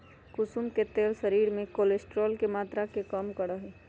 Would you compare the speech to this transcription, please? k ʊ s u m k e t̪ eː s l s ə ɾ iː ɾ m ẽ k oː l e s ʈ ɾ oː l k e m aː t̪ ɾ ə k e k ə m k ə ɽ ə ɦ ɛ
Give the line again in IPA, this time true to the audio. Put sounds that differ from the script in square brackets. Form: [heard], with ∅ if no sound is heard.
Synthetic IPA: k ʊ s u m k e t̪ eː [∅] l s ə ɾ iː ɾ m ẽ k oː l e s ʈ ɾ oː l k e m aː t̪ ɾ [a] k e k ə m k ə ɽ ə ɦ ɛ